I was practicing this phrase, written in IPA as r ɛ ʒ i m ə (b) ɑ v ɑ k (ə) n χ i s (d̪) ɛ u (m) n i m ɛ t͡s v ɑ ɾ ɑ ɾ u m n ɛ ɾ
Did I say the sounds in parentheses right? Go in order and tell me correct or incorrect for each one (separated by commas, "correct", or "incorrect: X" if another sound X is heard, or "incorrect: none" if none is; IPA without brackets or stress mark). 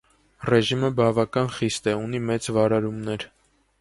correct, incorrect: ɑ, incorrect: t̪, incorrect: none